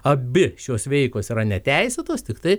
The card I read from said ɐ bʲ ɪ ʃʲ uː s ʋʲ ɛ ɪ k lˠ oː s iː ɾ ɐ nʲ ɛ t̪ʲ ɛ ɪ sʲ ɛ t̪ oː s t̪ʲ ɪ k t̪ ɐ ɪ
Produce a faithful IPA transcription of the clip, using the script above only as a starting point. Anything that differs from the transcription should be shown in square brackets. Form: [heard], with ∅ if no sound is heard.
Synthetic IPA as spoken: ɐ bʲ ɪ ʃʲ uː s ʋʲ ɛ ɪ k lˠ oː s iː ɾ ɐ nʲ ɛ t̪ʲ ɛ ɪ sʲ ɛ t̪ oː s t̪ʲ ɪ k t̪ ɐ ɪ